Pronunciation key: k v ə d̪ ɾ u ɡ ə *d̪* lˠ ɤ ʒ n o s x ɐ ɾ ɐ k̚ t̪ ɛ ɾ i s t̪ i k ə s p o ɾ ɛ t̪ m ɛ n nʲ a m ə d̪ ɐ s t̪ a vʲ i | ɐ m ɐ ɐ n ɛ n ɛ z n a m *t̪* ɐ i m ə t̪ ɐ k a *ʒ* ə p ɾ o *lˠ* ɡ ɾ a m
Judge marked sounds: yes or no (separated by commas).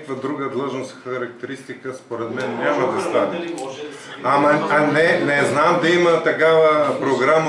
yes, no, no, no